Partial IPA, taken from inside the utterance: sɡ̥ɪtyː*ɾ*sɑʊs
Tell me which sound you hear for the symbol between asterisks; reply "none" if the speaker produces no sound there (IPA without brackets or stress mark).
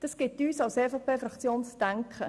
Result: none